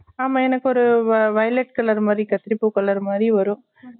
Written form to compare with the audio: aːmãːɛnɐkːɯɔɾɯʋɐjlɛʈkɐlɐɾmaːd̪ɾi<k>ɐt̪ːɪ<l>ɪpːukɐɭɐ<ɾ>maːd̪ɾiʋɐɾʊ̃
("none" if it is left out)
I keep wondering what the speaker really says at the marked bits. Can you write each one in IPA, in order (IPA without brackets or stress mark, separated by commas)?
k, ɾ, ɾ